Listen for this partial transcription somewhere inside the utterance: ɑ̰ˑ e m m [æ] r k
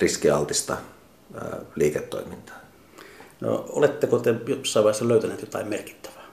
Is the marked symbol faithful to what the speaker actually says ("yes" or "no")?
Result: no